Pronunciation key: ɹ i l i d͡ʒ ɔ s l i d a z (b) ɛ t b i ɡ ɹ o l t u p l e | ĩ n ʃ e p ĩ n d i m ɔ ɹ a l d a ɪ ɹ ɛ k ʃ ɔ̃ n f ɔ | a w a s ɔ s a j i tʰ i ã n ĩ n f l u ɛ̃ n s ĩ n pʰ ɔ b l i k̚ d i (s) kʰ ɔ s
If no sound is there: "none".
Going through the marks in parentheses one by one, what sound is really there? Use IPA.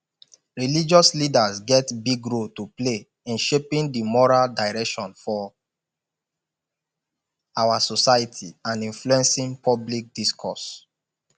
ɡ, s

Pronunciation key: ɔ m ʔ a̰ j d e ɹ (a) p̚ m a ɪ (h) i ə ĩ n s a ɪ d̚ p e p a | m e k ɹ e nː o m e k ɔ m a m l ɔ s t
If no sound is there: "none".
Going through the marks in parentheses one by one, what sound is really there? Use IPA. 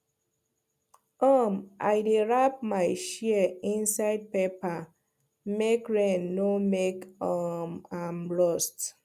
a, ʃ

